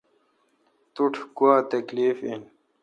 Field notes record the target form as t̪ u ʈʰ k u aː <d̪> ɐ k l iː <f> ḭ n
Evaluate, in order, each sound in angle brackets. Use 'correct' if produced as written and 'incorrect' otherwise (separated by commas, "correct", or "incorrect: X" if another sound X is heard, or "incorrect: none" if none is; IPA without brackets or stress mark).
incorrect: t̪, correct